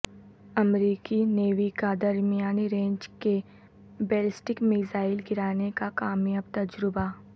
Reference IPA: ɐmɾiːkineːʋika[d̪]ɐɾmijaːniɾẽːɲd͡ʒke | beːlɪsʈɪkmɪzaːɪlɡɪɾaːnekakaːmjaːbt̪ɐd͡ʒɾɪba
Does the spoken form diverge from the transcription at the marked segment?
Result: no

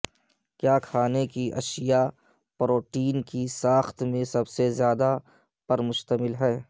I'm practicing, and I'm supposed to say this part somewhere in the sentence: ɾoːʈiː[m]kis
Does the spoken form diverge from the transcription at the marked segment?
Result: yes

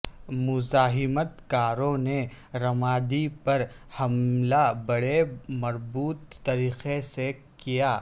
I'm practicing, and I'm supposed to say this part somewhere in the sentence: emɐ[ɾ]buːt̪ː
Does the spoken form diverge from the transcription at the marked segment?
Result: no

